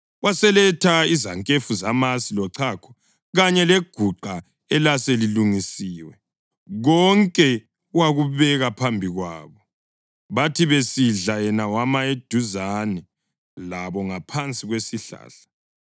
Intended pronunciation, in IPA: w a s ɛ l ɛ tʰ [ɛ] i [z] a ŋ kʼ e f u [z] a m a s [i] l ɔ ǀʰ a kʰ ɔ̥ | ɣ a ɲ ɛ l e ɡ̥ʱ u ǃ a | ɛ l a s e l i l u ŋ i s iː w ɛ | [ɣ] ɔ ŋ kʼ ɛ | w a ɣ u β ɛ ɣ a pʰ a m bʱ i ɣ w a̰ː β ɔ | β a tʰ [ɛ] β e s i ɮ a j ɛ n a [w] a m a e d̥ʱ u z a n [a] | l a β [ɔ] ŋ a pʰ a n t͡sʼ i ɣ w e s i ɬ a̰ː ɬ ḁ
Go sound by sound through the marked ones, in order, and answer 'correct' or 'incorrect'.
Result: incorrect: a, correct, correct, correct, correct, incorrect: i, correct, incorrect: ɛ, correct

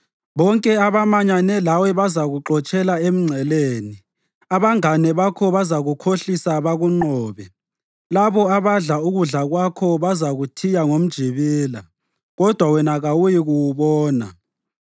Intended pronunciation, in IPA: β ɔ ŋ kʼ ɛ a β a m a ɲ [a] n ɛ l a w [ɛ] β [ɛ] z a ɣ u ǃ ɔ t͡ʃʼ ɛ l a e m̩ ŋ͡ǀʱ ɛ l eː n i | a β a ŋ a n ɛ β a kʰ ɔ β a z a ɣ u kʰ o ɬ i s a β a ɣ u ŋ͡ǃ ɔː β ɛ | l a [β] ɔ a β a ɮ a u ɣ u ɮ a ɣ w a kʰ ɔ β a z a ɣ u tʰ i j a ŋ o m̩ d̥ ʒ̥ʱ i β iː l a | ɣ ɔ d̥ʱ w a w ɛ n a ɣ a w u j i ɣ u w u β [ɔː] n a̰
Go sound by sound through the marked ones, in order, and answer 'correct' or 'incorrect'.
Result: correct, correct, incorrect: a, correct, correct

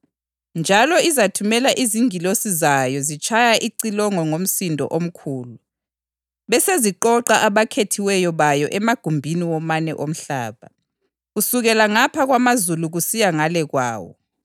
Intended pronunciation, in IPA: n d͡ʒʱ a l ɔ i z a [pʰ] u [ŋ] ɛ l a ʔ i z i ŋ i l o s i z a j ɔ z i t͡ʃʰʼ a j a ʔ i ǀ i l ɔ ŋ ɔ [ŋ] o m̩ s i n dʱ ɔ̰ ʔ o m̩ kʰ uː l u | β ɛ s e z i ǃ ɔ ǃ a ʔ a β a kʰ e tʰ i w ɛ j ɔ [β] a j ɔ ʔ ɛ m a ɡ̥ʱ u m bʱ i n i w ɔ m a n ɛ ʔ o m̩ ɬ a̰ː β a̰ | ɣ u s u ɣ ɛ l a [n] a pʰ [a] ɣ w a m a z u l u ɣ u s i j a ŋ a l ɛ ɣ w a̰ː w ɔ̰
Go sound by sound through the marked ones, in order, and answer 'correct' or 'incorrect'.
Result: incorrect: tʰ, incorrect: m, correct, correct, incorrect: ŋ, correct

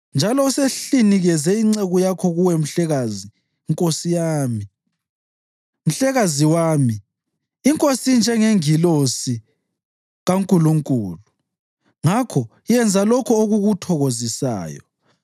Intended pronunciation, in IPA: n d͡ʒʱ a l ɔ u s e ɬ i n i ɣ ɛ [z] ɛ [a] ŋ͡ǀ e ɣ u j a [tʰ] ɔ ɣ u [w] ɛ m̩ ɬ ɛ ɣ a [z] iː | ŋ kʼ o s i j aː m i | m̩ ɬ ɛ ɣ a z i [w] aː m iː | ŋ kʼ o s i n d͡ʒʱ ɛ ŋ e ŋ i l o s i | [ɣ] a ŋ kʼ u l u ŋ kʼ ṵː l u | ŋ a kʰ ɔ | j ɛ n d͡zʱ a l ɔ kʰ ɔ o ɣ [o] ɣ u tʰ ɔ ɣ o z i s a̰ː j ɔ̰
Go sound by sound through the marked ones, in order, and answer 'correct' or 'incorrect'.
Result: correct, incorrect: i, incorrect: kʰ, correct, correct, correct, correct, incorrect: u

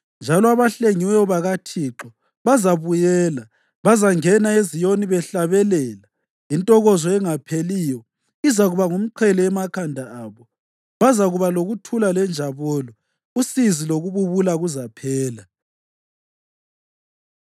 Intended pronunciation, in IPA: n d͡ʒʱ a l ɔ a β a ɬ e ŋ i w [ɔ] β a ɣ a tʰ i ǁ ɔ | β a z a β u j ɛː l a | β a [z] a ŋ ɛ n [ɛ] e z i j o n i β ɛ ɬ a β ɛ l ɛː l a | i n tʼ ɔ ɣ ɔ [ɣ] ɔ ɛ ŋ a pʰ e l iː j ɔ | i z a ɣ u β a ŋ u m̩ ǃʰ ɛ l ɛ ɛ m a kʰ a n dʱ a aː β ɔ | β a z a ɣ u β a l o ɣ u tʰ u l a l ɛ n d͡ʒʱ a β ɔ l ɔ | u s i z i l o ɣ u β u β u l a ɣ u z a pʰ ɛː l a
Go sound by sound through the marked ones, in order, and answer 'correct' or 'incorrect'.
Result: correct, correct, incorrect: a, incorrect: z

